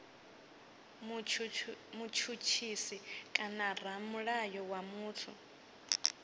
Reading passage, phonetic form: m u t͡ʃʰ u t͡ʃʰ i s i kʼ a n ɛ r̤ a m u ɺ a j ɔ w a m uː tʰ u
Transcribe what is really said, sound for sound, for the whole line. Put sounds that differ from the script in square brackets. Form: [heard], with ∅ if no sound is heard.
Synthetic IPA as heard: m u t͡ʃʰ u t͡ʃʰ i s i kʼ a n [a] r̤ a m u ɺ a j ɔ w a m uː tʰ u